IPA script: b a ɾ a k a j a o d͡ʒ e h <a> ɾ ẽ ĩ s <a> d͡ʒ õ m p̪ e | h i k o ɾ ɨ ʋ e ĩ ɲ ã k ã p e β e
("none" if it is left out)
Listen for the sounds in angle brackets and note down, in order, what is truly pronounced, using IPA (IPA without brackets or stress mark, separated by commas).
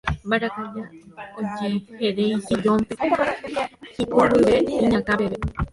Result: e, i